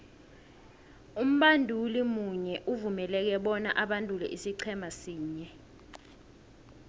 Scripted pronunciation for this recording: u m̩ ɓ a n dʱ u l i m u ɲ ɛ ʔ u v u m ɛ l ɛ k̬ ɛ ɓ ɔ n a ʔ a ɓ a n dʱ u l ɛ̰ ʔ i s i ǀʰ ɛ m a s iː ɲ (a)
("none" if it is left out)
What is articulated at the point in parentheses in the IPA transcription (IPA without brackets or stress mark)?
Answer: ɛ